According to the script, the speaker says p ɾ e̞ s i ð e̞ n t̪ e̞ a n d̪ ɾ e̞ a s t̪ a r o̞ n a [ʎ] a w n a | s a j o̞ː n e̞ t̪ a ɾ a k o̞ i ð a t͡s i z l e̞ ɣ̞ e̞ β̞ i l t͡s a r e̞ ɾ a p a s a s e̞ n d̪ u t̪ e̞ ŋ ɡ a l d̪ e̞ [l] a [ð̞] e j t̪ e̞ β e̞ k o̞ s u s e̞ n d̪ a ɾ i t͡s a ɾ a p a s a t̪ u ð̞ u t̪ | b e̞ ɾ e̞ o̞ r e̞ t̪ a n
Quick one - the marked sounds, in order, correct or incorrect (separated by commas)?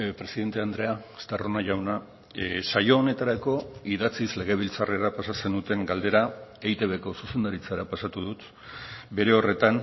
incorrect, incorrect, incorrect